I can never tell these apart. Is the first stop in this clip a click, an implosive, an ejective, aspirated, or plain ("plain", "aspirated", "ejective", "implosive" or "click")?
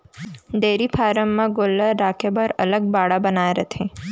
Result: plain